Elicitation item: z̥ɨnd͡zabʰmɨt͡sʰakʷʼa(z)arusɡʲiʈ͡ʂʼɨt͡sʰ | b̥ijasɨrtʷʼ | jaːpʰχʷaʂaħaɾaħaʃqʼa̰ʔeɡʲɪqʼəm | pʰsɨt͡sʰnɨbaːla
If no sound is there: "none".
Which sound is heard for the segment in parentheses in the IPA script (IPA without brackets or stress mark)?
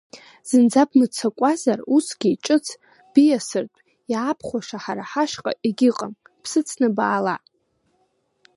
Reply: z